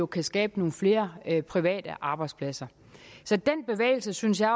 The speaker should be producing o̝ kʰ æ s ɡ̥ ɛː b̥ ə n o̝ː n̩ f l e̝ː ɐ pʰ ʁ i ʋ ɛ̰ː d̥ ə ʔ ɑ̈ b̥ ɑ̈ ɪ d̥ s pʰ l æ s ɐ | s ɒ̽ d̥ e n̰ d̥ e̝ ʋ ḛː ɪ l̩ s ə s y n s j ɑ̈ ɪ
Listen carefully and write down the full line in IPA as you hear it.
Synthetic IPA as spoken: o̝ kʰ æ s ɡ̥ ɛː b̥ ə n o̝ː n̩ f l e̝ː ɐ pʰ ʁ i ʋ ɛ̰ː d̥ ə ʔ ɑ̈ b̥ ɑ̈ ɪ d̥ s pʰ l æ s ɐ | s ɒ̽ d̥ e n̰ b̥ e̝ ʋ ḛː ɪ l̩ s ə s y n s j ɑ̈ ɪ